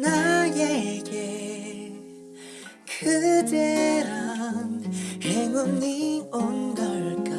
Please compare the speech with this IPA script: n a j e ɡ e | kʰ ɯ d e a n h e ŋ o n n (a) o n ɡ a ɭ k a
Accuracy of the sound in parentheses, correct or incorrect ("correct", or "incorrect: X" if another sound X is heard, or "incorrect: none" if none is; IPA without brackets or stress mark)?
incorrect: i